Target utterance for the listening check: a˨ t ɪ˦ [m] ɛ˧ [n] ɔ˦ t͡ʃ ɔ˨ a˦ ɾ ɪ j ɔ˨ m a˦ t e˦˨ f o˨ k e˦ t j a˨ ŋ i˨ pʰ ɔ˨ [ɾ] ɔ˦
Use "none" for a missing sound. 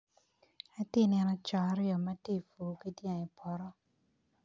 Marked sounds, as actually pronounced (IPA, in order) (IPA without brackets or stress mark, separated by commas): n, n, ɾ